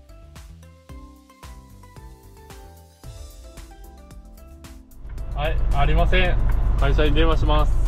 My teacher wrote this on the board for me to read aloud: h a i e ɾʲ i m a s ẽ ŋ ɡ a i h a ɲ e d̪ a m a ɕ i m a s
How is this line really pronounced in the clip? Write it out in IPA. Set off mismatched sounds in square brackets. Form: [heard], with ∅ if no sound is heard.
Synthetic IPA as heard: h a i [a] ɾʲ i m a s ẽ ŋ [k] a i [ɕ] a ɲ [i] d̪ [e] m a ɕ i m a s

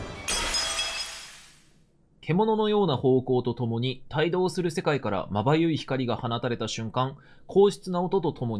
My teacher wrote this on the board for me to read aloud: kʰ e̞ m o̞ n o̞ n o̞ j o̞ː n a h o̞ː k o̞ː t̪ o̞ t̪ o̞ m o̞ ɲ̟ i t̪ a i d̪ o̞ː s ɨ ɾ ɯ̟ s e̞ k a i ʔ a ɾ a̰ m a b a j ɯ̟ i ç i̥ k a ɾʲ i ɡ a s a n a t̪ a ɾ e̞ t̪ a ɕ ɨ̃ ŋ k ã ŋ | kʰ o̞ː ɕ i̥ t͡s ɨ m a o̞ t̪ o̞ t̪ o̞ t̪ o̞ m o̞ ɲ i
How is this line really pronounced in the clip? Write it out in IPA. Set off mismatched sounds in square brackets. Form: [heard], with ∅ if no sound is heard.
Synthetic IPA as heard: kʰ e̞ m o̞ n o̞ n o̞ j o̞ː n a h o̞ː k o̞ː t̪ o̞ t̪ o̞ m o̞ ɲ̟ i t̪ a i d̪ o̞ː s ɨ ɾ ɯ̟ s e̞ k a i [k] a ɾ a̰ m a b a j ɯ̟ i ç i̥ k a ɾʲ i ɡ a [h] a n a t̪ a ɾ e̞ t̪ a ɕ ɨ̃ ŋ k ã ŋ | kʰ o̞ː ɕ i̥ t͡s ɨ [n] a o̞ t̪ o̞ t̪ o̞ t̪ o̞ m o̞ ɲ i

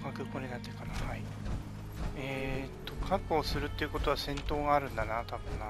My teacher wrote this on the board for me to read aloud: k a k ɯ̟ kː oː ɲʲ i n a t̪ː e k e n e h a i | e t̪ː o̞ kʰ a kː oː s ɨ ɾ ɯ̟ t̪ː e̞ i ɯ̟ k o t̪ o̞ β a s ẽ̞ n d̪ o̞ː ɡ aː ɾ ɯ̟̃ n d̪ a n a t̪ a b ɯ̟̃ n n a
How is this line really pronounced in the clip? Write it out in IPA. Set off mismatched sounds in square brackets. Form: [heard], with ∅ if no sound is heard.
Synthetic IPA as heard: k a k ɯ̟ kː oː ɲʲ i n a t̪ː e k [a] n [a] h a i | e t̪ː o̞ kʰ a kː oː s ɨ ɾ ɯ̟ t̪ː e̞ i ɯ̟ k o t̪ o̞ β a s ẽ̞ n [t̪] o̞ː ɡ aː ɾ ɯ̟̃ n d̪ a n a t̪ a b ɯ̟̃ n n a

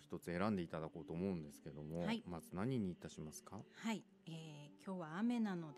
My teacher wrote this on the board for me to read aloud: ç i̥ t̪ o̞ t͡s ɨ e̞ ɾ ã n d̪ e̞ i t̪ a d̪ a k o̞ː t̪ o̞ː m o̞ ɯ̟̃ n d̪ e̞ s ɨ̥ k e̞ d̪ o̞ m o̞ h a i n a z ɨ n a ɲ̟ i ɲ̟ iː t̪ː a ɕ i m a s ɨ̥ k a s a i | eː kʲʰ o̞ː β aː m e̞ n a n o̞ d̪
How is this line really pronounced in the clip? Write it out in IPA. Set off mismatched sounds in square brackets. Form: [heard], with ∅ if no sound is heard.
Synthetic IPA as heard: ç i̥ t̪ o̞ t͡s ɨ e̞ ɾ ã n d̪ e̞ i t̪ a d̪ a k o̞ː t̪ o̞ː m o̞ ɯ̟̃ n d̪ e̞ s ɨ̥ k e̞ d̪ o̞ m o̞ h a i [m] a z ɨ n a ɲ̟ i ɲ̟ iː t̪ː a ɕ i m a s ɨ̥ k a [h] a i | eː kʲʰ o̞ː β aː m e̞ n a n o̞ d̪

